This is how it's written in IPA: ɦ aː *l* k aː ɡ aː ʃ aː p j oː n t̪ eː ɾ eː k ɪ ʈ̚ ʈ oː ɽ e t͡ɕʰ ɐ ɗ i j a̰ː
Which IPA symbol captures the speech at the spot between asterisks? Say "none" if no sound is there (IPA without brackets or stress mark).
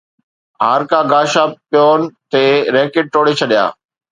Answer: ɾ